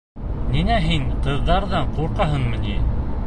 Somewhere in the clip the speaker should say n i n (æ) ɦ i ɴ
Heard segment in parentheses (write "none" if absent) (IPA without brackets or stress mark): æ